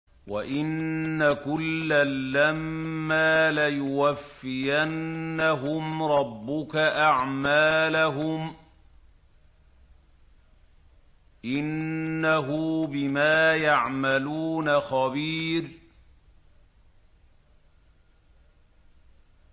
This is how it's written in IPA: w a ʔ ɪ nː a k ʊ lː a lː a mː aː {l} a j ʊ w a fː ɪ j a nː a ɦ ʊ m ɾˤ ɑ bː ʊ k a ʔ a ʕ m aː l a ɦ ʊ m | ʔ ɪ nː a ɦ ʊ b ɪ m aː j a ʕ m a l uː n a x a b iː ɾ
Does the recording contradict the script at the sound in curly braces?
no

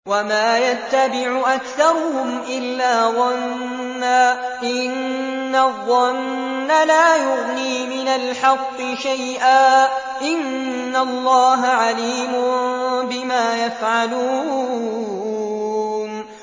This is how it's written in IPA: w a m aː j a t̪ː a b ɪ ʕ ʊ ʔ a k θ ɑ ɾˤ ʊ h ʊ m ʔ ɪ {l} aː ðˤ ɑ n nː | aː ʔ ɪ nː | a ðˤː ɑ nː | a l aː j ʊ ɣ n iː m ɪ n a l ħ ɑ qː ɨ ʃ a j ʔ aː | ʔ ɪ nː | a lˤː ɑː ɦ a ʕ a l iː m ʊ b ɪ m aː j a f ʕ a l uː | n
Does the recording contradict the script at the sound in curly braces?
yes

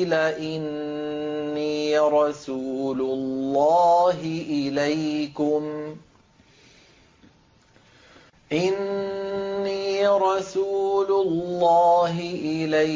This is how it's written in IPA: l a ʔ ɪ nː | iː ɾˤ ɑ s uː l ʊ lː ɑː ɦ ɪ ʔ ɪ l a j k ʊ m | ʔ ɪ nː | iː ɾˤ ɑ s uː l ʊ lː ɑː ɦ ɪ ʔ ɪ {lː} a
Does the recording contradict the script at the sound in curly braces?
yes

